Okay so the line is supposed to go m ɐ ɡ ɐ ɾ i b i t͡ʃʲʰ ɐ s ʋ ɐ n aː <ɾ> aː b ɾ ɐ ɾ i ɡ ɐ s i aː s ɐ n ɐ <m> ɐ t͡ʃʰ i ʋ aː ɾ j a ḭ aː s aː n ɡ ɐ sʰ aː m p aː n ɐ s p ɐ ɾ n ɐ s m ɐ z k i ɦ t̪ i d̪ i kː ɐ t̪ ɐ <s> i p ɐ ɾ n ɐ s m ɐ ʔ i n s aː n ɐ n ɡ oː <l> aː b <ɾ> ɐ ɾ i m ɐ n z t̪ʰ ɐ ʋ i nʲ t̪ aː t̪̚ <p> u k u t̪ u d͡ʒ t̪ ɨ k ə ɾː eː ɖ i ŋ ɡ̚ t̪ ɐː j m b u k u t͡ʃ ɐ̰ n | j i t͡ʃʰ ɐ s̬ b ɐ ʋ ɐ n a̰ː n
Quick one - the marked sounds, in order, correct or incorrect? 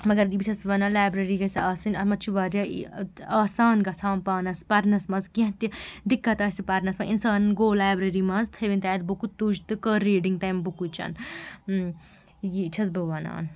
incorrect, correct, correct, correct, correct, incorrect

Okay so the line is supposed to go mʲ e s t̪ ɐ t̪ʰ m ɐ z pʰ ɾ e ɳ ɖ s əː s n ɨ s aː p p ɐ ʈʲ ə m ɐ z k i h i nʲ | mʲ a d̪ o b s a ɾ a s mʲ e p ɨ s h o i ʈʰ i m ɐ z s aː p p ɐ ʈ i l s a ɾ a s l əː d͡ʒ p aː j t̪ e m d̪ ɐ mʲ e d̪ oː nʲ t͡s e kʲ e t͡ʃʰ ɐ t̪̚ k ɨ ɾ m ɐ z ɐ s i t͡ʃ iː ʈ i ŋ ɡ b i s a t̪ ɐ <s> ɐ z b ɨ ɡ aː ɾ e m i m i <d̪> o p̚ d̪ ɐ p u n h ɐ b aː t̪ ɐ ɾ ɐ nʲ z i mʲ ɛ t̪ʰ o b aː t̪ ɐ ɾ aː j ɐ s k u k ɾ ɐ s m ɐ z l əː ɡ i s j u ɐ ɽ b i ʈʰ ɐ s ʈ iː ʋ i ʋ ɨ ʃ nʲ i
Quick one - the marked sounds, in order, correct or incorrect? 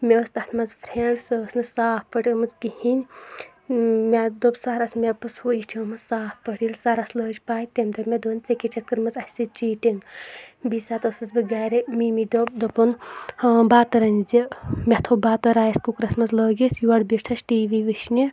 correct, correct

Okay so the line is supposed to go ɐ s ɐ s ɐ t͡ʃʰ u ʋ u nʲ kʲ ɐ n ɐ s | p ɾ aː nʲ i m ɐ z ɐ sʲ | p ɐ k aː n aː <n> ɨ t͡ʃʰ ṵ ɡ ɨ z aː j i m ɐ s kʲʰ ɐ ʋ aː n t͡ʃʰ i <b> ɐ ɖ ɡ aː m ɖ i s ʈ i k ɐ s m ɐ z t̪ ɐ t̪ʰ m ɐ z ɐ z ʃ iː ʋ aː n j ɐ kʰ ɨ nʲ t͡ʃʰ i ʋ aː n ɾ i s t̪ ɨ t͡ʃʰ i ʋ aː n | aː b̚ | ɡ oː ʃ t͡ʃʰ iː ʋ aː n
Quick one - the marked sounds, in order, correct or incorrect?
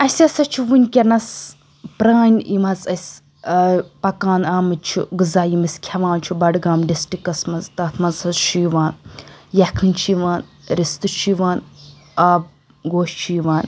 incorrect, correct

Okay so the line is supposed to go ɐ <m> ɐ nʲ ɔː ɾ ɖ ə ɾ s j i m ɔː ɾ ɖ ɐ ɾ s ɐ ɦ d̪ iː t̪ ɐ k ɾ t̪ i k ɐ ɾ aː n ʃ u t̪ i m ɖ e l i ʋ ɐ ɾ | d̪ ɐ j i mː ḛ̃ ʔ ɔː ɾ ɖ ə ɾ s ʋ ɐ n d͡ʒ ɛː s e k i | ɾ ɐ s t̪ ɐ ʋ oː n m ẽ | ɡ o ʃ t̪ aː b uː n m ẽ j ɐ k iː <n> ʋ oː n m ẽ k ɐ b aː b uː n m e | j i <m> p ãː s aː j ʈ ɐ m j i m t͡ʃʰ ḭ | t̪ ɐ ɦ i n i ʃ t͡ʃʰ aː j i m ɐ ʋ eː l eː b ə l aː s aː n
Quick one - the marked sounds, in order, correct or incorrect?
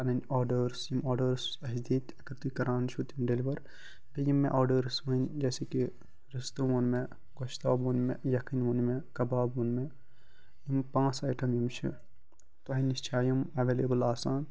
incorrect, correct, correct

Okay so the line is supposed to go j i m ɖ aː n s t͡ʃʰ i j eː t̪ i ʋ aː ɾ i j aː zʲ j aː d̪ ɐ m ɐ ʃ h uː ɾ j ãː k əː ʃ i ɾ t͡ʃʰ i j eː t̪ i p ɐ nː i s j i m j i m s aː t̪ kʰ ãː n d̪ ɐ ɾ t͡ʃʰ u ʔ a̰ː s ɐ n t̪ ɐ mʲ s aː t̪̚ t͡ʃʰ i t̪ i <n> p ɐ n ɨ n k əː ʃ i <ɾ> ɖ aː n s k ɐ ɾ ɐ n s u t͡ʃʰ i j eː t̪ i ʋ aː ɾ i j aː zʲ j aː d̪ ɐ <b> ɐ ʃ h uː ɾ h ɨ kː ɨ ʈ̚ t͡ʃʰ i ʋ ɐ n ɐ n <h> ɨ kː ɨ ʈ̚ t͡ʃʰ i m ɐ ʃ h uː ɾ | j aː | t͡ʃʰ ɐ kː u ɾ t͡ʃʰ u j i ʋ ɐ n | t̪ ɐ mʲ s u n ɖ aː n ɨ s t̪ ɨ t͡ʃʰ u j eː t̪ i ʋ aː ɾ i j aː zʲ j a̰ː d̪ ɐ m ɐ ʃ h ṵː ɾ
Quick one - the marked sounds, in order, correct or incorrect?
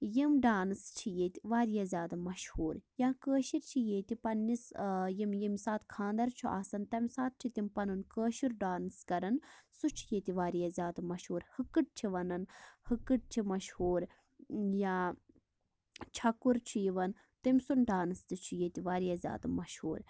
incorrect, correct, incorrect, correct

